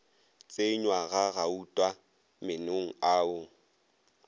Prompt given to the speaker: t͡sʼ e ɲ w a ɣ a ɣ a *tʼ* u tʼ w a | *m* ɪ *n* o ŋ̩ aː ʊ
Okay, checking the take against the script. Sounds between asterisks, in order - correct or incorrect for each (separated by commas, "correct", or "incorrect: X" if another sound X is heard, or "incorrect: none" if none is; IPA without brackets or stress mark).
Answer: incorrect: none, correct, correct